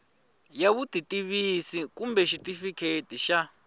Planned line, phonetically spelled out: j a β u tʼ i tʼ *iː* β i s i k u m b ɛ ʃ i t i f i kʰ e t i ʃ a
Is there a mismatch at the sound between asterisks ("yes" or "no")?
yes